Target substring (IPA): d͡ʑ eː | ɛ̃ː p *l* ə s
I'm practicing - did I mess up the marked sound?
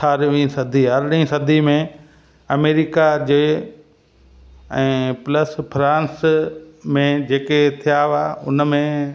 no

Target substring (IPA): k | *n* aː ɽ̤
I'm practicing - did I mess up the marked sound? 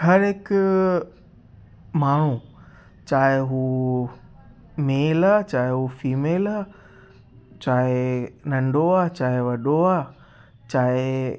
yes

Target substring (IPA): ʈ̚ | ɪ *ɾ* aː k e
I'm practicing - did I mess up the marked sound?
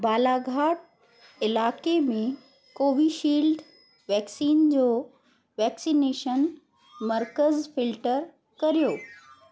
yes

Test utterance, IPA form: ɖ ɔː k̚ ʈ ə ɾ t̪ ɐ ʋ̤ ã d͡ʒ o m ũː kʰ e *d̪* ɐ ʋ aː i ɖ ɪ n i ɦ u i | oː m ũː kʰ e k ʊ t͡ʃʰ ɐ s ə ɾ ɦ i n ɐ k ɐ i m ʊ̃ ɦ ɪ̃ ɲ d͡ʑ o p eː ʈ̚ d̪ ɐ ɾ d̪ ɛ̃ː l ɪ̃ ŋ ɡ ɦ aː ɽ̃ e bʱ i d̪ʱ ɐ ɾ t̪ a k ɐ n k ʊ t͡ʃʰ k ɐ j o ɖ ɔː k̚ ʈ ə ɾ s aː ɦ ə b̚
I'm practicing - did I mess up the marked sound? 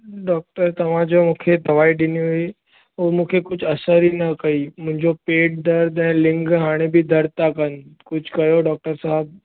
no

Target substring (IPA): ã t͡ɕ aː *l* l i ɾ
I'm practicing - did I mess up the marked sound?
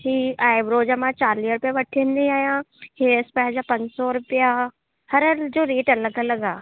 yes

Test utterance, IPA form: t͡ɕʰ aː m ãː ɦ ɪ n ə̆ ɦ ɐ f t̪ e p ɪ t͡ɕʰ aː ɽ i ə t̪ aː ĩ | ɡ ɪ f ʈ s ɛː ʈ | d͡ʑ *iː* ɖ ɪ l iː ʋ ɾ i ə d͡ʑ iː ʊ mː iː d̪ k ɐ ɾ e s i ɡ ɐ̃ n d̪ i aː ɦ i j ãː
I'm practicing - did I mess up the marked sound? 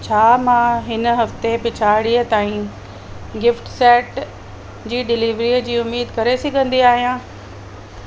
no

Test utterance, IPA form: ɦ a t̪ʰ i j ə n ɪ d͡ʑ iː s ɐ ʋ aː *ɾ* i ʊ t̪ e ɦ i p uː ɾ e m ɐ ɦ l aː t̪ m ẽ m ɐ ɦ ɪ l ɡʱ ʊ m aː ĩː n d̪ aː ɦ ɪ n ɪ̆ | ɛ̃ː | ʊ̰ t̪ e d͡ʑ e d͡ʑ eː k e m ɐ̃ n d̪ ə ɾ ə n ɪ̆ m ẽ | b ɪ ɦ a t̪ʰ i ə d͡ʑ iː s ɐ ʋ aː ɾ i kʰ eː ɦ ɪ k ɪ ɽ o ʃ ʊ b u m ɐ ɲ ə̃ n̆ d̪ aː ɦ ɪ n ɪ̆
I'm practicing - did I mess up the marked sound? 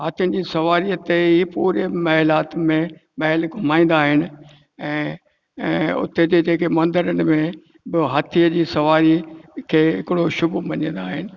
no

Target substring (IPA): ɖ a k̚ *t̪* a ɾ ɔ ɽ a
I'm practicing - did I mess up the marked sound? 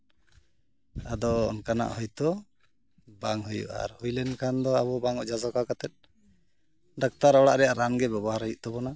no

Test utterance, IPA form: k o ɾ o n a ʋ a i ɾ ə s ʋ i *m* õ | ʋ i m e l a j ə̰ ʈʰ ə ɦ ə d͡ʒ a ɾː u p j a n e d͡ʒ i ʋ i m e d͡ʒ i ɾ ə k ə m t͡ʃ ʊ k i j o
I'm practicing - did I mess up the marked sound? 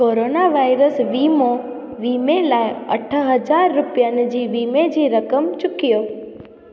no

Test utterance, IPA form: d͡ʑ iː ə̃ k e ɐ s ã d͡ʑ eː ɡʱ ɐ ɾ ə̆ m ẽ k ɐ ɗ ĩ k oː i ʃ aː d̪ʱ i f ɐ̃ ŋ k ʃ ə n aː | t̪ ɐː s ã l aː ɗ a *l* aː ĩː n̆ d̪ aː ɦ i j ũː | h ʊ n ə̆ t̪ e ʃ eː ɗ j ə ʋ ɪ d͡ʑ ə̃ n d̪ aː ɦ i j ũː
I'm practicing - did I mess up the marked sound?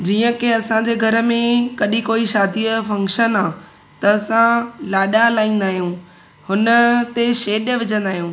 no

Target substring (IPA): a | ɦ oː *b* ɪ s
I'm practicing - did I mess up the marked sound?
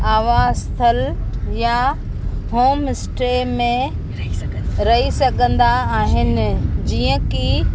yes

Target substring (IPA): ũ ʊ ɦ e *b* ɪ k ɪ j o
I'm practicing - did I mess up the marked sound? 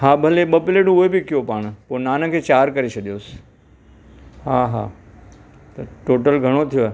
no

